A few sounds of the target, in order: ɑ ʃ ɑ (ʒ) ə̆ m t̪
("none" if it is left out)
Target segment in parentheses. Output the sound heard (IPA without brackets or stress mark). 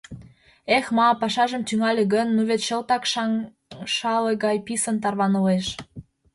ʒ